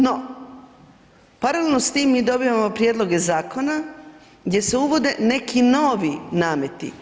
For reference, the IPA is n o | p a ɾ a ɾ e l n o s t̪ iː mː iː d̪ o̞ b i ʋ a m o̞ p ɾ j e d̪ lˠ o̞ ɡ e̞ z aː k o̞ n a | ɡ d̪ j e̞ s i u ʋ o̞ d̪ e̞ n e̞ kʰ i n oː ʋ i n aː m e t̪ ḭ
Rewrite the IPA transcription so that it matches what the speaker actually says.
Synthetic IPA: n o | p a ɾ a l e l n o s t̪ iː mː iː d̪ o̞ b i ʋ a m o̞ p ɾ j e d̪ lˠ o̞ ɡ e̞ z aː k o̞ n a | ɡ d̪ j e̞ s e u ʋ o̞ d̪ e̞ n e̞ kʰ i n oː ʋ i n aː m e t̪ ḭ